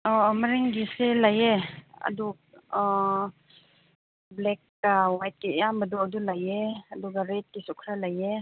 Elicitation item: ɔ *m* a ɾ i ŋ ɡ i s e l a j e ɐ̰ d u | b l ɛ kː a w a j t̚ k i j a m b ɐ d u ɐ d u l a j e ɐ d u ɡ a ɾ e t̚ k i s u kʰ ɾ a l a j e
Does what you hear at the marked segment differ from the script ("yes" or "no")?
no